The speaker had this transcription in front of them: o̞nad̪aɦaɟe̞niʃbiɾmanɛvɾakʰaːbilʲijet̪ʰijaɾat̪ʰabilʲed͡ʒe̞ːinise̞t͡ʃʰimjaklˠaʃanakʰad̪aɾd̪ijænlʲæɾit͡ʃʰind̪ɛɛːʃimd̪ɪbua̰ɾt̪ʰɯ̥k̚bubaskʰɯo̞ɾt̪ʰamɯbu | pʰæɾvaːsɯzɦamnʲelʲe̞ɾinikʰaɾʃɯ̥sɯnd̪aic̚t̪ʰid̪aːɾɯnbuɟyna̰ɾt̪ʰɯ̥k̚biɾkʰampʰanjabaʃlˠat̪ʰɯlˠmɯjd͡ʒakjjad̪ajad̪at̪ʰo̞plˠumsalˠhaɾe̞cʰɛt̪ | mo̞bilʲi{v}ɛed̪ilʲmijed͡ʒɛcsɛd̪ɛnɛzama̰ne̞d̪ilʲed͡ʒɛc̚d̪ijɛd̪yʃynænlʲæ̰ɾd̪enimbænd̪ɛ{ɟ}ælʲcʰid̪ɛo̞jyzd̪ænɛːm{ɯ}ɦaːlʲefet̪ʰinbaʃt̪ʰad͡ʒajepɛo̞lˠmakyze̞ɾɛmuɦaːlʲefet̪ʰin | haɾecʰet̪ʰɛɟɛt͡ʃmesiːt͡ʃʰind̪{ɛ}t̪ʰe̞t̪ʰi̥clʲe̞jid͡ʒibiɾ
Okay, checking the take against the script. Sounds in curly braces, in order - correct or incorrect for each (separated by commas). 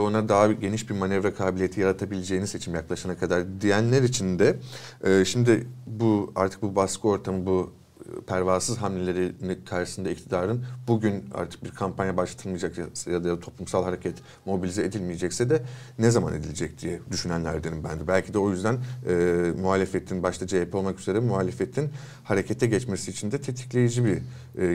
incorrect, incorrect, incorrect, correct